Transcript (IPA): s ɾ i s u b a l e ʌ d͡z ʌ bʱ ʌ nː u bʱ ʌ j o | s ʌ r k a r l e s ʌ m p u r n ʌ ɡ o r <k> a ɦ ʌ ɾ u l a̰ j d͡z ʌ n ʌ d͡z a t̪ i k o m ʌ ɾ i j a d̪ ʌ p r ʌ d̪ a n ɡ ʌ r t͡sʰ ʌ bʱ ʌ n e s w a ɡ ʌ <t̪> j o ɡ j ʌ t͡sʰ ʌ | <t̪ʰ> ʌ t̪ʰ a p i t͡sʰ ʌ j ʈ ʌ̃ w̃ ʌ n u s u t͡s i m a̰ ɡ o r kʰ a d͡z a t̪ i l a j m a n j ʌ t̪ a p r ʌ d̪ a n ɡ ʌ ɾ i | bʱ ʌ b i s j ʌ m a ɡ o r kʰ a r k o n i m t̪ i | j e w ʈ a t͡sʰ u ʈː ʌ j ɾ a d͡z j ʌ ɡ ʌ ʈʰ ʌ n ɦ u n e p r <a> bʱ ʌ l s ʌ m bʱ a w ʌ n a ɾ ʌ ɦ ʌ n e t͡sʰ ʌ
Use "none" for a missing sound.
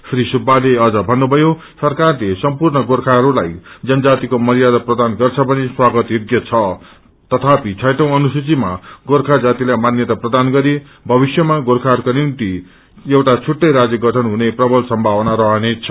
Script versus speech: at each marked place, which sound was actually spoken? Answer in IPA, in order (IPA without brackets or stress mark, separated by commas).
kʰ, t̪, t̪, ʌ